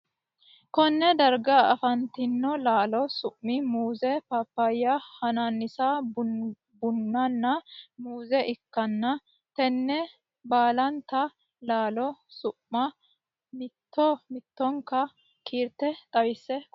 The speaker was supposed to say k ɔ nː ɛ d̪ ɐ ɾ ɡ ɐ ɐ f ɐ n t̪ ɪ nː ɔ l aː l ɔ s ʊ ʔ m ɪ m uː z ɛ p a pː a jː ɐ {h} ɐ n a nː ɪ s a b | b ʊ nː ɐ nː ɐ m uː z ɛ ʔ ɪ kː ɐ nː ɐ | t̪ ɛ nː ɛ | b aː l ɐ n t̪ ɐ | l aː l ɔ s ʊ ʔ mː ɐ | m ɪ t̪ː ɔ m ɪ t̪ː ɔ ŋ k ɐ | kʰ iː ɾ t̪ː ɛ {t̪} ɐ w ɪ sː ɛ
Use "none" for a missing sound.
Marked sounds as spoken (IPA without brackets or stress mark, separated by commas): h, t̪ʼ